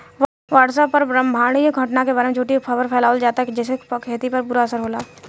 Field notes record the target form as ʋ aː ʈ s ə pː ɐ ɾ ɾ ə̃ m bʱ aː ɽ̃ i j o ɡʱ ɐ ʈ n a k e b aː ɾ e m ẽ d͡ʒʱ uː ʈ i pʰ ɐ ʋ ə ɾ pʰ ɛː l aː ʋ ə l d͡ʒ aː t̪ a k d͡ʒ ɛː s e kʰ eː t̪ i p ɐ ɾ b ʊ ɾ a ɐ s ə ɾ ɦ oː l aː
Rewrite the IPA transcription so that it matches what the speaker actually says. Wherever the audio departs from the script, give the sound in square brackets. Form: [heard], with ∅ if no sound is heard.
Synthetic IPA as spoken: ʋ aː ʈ s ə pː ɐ ɾ ɾ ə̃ m bʱ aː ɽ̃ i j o ɡʱ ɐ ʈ n a k e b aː ɾ e m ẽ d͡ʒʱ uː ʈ i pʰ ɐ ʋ ə ɾ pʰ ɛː l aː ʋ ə l d͡ʒ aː t̪ a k d͡ʒ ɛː s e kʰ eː t̪ i p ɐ ɾ b ʊ ɾ a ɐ s ə ɾ ɦ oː l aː